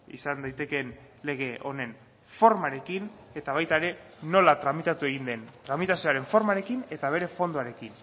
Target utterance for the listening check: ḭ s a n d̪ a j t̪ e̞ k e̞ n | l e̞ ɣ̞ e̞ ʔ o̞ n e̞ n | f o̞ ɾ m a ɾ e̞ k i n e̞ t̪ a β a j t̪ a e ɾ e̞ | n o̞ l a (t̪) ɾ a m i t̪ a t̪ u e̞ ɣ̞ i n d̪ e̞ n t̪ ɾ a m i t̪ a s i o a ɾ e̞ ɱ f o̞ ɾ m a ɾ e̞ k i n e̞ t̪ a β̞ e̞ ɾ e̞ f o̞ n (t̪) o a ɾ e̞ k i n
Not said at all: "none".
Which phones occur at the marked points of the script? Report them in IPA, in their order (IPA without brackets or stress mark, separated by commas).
t̪, d̪